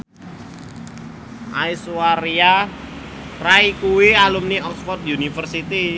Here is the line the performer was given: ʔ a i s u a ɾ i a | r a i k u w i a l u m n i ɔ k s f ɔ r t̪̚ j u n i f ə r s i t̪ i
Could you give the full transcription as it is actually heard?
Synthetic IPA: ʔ a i s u a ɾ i a | r a i k u w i a l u m n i ɔ k s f ɔ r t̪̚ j u n i f ə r s i t̪ i